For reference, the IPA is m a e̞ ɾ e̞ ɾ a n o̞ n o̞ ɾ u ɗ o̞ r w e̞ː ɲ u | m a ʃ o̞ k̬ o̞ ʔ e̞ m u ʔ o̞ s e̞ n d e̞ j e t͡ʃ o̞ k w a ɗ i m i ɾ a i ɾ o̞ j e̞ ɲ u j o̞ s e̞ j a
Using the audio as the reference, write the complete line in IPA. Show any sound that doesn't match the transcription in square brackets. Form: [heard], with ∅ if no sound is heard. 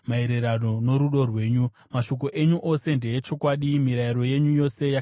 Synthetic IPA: m a e̞ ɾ e̞ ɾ a n o̞ n o̞ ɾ u ɗ o̞ r w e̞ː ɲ u | m a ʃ o̞ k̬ o̞ ʔ e̞ [ɲ] u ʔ o̞ s e̞ n d e̞ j e t͡ʃ o̞ k w a ɗ i m i ɾ a i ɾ o̞ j e̞ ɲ u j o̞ s e̞ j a